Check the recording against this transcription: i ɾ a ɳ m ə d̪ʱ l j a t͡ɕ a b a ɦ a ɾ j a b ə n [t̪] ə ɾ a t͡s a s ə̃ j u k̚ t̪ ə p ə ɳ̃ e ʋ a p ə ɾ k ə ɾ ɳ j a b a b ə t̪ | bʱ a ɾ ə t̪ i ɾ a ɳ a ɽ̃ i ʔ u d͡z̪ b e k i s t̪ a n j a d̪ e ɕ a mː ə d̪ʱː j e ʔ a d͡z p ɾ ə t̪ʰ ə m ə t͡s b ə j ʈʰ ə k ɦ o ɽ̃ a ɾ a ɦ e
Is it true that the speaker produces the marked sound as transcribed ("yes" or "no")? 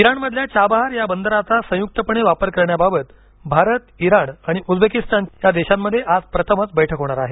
no